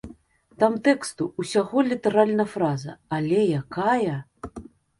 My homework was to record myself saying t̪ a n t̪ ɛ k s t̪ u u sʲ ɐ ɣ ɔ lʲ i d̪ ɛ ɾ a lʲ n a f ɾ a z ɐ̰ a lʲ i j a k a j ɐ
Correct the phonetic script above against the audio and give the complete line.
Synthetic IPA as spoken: t̪ a m t̪ ɛ k s t̪ u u sʲ a ɣ ɔ lʲ i t̪ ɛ ɾ a lʲ n ɐ f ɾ a z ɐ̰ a lʲ ɛ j a k a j ɐ